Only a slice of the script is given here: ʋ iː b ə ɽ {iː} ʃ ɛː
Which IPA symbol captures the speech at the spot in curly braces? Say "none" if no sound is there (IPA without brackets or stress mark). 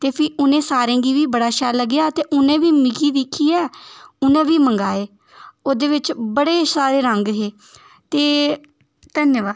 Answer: aː